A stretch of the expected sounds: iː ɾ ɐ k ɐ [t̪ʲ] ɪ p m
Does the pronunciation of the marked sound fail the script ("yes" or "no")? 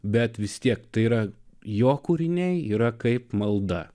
yes